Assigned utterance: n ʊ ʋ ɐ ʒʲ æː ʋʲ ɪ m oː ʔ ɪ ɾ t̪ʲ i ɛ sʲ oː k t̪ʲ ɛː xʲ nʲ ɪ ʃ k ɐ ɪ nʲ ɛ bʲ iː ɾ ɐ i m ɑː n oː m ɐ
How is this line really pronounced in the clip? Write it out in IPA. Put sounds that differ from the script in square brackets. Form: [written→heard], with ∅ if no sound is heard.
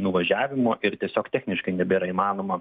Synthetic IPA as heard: n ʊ ʋ ɐ ʒʲ æː ʋʲ ɪ m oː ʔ ɪ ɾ t̪ʲ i ɛ sʲ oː k t̪ʲ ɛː xʲ nʲ ɪ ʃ k ɐ ɪ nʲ ɛ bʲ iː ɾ ɐ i m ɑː n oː m ɐ